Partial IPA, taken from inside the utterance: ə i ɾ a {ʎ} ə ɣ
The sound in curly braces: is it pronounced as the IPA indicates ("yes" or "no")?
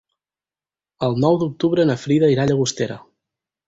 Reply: yes